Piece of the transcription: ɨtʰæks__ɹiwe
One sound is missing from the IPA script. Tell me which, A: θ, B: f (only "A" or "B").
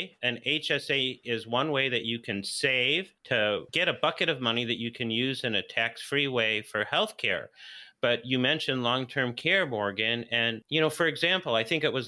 B